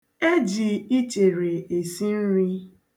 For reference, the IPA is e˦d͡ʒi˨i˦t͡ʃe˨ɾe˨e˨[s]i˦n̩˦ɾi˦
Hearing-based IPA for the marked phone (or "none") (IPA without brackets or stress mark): s